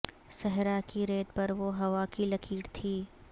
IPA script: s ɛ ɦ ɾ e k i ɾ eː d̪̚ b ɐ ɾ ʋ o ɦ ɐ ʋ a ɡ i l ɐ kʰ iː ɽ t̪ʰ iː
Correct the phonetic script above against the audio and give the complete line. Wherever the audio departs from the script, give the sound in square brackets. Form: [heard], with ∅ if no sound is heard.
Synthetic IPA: s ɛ ɦ ɾ [a] k i ɾ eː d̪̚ [p] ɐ ɾ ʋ o ɦ ɐ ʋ a [k] i l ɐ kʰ iː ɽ t̪ʰ iː